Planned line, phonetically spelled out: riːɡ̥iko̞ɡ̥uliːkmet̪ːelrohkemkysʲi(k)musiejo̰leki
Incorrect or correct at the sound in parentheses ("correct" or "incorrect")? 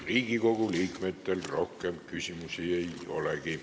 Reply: incorrect